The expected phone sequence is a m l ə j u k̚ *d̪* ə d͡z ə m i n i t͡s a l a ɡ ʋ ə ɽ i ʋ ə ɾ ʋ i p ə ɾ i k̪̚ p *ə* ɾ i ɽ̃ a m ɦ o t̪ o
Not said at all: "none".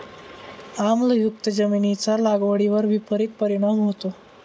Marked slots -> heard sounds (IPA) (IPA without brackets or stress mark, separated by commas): t̪, ə